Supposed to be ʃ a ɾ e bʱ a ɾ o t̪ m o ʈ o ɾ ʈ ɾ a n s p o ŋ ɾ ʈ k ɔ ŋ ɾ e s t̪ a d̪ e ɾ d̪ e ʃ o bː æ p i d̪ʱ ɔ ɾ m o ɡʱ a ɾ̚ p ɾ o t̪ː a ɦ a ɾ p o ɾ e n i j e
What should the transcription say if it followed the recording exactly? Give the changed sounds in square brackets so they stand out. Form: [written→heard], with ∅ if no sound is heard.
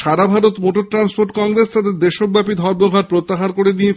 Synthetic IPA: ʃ a ɾ [e→a] bʱ a ɾ o t̪ m o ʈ o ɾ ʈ ɾ a n s p o [ŋ→∅] ɾ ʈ k ɔ ŋ ɾ e s t̪ a d̪ e ɾ d̪ e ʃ o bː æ p i d̪ʱ ɔ ɾ m o ɡʱ a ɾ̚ p ɾ o t̪ː a ɦ a ɾ [p→k] o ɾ e n i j e